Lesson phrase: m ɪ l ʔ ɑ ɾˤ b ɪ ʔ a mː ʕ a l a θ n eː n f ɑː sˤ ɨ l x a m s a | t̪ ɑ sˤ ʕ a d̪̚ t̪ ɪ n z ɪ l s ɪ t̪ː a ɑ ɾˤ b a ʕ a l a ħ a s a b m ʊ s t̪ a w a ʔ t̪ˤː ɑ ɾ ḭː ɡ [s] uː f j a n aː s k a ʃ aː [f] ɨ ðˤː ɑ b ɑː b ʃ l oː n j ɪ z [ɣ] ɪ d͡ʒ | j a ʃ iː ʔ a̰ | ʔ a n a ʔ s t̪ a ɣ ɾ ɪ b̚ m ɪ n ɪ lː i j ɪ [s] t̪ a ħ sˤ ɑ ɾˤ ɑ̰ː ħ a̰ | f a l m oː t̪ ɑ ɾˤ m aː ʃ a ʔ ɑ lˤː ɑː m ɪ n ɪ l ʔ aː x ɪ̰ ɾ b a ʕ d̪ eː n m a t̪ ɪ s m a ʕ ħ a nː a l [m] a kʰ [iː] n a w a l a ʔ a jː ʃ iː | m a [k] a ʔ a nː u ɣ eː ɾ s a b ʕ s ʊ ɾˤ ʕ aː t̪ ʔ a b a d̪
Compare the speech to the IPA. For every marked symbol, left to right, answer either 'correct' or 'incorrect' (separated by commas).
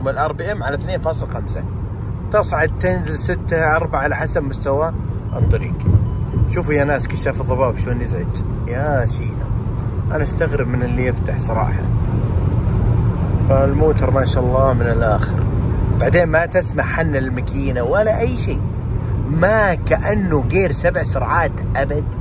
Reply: incorrect, correct, incorrect, incorrect, correct, correct, correct